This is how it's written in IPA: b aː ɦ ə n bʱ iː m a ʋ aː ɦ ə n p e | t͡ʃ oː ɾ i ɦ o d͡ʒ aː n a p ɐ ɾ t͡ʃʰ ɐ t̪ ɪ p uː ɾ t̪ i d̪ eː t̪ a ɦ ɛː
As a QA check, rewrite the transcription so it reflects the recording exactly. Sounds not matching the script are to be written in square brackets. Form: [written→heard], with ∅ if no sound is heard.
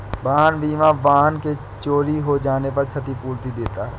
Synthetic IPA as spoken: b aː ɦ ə n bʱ iː m a ʋ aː ɦ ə n [p→k] e | t͡ʃ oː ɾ i ɦ o d͡ʒ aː n [a→e] p ɐ ɾ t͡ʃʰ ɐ t̪ [ɪ→i] p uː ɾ t̪ i d̪ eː t̪ a ɦ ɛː